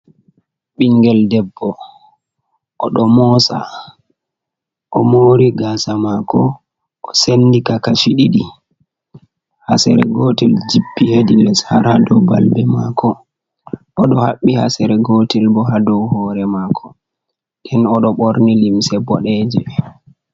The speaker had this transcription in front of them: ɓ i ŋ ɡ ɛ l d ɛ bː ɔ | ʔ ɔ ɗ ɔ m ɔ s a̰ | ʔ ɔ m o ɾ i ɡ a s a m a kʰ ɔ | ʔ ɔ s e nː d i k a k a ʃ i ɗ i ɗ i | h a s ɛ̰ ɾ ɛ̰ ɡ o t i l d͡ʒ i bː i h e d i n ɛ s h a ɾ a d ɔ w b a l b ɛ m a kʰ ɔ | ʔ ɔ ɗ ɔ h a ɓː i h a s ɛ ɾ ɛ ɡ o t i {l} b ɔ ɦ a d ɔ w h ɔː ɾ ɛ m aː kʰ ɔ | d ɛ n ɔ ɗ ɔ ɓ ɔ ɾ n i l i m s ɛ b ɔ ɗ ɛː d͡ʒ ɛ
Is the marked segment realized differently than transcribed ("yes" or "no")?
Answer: no